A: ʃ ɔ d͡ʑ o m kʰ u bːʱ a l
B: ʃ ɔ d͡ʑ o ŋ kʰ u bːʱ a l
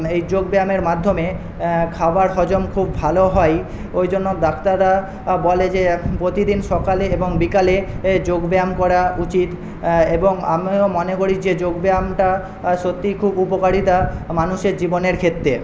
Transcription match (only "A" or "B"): A